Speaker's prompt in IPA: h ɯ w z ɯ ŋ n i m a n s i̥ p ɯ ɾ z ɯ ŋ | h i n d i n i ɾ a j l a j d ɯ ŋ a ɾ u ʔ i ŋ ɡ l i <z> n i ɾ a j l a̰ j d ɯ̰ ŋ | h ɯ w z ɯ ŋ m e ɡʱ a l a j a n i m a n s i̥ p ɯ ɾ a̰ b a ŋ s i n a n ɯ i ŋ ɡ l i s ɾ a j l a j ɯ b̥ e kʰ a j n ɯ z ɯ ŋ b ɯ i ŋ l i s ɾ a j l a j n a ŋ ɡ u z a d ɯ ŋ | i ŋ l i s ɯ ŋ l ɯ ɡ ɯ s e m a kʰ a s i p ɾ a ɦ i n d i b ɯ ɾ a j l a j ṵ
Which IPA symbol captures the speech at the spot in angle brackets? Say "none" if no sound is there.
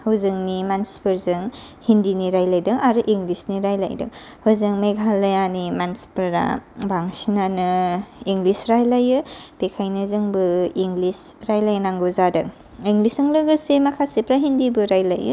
s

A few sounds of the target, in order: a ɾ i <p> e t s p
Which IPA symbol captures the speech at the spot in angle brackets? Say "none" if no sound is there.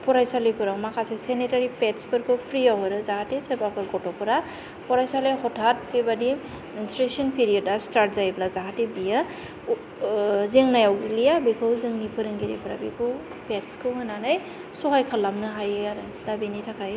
p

